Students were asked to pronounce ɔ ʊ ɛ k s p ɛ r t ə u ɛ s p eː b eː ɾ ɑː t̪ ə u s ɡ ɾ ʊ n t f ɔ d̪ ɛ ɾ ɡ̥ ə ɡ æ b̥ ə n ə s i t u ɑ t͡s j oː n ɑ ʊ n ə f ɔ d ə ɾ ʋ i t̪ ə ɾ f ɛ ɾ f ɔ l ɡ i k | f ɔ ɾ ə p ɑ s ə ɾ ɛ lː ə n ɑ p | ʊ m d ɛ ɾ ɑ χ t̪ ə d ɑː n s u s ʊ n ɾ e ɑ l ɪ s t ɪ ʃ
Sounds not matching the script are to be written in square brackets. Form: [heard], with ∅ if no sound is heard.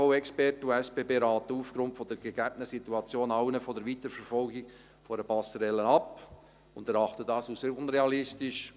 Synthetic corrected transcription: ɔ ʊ ɛ k s p ɛ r t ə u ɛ s p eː b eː ɾ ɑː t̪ ə u [f] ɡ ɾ ʊ n t f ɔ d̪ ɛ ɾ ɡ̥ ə ɡ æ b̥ ə n ə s i t u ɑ t͡s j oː n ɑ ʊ n ə f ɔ d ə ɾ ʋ i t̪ ə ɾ f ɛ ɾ f ɔ l ɡ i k | f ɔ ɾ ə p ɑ s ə ɾ ɛ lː ə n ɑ p | ʊ [n] d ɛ ɾ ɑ χ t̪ ə d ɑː [∅] s u s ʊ n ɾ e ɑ l ɪ s t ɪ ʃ